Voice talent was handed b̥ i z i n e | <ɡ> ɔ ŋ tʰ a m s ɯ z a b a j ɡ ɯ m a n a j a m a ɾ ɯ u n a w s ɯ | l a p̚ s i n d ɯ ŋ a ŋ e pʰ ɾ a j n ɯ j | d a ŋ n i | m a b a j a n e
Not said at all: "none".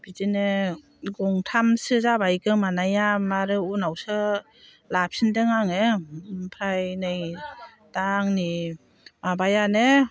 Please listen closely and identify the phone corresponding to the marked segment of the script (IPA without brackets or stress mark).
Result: ɡ